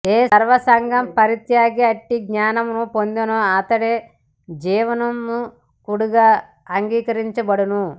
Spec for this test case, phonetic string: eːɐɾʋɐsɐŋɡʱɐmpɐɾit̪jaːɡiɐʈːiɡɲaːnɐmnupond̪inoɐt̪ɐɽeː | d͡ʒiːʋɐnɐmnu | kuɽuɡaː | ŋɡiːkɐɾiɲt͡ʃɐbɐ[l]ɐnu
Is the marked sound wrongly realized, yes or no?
yes